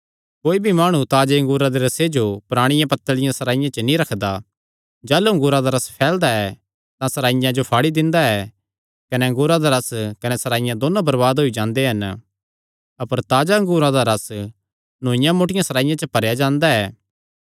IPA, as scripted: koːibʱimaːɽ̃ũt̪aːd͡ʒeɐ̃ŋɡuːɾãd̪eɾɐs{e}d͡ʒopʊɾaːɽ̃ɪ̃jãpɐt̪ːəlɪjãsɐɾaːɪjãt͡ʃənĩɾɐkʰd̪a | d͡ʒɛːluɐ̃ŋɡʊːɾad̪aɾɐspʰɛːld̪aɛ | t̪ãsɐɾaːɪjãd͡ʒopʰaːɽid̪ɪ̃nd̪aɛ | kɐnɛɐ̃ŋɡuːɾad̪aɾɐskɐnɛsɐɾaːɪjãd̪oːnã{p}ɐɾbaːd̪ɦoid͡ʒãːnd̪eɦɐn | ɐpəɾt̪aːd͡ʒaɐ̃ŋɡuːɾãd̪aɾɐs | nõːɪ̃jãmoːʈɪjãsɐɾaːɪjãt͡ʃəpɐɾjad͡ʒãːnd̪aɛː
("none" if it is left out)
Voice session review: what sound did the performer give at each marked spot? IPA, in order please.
e, b

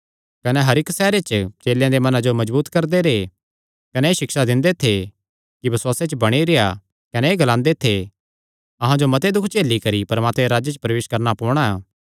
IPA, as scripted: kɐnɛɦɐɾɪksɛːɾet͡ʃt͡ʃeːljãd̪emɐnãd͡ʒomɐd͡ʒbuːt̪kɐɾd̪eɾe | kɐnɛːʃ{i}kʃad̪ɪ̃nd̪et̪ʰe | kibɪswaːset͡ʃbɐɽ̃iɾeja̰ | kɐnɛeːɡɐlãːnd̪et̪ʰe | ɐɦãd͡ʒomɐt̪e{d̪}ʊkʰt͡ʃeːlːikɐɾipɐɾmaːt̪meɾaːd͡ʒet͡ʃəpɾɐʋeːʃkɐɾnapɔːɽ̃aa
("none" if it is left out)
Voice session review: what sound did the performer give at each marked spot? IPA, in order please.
ɪ, d̪

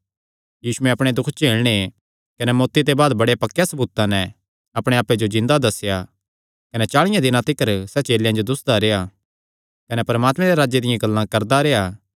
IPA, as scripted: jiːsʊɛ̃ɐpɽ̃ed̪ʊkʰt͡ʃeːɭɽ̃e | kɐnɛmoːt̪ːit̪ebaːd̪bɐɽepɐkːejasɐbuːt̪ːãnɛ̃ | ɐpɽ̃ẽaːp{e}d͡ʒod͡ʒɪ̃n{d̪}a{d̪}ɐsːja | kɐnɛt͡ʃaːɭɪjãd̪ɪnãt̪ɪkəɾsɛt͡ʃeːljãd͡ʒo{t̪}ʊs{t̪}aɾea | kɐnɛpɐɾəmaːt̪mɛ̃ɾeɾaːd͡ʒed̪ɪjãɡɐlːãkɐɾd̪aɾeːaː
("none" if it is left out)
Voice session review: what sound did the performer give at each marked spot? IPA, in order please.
e, d̪, d̪, d̪, d̪

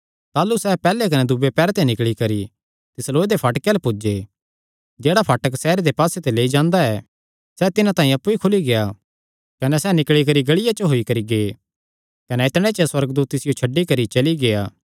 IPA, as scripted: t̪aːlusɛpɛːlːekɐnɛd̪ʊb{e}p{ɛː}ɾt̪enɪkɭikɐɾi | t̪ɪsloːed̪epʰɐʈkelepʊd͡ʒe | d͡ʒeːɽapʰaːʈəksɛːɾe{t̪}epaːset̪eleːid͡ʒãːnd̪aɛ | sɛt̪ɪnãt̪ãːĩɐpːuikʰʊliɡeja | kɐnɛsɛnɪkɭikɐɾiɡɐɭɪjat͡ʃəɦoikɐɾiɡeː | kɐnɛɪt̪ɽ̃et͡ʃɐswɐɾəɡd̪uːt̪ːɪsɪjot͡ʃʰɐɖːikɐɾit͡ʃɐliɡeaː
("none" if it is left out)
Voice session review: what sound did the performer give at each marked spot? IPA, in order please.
e, ɛː, d̪

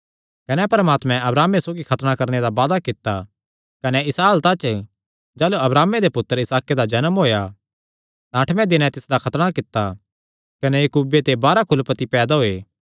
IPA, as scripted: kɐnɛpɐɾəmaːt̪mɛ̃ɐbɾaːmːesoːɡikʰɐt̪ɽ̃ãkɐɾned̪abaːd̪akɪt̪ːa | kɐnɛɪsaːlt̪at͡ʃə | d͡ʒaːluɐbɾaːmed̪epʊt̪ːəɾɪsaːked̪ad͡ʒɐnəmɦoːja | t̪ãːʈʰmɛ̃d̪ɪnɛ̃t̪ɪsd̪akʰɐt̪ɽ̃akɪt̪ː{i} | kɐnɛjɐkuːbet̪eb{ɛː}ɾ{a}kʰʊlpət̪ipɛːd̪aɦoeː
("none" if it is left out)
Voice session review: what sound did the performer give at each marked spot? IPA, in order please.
a, aː, a

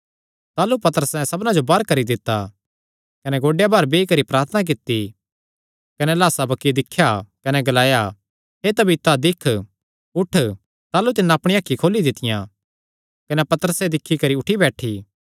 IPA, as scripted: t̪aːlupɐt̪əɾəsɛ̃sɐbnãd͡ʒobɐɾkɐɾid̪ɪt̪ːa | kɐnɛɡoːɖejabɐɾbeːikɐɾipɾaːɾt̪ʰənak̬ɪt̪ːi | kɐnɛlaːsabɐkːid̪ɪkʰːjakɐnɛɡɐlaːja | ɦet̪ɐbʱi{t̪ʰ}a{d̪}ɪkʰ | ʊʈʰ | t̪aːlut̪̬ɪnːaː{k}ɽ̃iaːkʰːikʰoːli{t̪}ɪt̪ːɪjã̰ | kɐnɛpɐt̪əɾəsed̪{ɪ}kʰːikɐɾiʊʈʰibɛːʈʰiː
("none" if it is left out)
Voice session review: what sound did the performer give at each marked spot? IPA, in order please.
t̪, d̪, p, d̪, ɪ

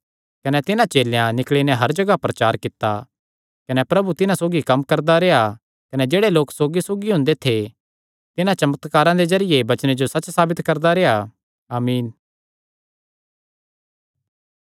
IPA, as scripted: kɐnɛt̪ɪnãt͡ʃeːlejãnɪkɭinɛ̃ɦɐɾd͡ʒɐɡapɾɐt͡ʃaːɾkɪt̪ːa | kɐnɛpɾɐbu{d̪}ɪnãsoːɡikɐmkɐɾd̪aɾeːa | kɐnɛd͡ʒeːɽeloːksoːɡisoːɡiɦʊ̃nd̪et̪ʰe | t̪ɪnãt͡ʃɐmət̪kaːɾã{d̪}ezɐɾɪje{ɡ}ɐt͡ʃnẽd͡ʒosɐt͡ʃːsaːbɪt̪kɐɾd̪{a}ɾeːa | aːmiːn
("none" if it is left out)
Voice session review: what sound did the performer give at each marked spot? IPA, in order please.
t̪, d̪, b, a

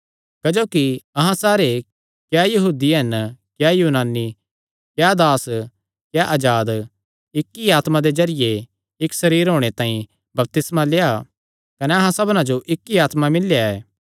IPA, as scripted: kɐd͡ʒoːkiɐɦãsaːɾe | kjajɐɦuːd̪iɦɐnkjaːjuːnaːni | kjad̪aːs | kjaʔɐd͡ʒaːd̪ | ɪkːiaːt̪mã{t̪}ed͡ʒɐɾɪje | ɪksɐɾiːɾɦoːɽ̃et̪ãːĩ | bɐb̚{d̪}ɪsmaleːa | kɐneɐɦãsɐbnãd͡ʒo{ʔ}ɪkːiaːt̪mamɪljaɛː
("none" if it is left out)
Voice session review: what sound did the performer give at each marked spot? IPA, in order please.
d̪, t̪, ʔ

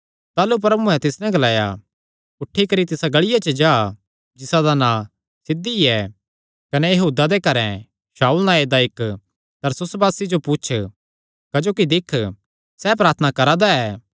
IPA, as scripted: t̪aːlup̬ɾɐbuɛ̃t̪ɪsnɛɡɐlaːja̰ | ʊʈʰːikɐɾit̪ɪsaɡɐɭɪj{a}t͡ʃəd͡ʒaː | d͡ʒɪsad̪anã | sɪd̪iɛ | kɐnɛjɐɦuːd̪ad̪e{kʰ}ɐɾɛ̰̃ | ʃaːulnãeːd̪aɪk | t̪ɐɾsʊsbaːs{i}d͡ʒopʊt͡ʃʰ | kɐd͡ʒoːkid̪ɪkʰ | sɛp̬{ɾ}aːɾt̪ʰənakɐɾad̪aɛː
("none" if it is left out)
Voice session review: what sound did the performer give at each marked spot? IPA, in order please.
a, k, i, ɾ

